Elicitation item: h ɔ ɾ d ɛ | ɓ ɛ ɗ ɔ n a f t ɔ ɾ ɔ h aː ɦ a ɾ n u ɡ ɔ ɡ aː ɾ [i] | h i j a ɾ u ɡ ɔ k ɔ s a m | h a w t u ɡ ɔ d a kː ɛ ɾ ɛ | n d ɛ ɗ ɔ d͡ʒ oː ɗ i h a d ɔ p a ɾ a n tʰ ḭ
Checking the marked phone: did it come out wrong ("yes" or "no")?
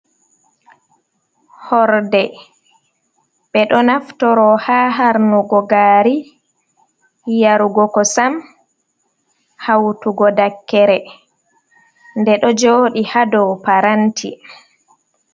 no